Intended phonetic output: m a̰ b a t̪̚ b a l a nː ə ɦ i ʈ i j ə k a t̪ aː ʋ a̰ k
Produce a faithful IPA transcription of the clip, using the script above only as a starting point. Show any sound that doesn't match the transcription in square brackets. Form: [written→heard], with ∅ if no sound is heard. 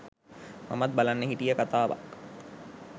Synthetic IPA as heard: m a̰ [b→m] a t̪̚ b a l a nː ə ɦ i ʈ i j ə k a t̪ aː ʋ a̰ k